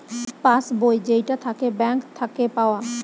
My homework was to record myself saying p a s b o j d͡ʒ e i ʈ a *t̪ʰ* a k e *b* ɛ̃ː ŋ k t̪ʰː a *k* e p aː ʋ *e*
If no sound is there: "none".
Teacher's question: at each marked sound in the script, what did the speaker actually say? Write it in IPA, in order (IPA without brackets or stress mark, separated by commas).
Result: t̪ʰ, b, k, a